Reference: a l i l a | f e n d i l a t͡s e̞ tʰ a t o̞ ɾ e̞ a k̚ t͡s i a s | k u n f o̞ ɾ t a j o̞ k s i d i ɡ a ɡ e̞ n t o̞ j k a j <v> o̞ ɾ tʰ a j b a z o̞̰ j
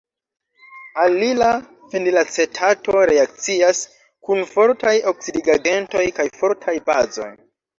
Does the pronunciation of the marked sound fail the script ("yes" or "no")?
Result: yes